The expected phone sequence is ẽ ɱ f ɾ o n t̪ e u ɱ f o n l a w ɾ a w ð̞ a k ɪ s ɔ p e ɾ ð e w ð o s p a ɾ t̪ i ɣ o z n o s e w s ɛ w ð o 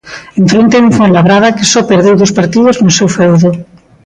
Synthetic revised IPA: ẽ ɱ f ɾ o n t̪ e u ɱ f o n l a β ɾ a ð̞ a k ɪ s ɔ p e ɾ ð e w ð o s p a ɾ t̪ i ð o z n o s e w f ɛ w ð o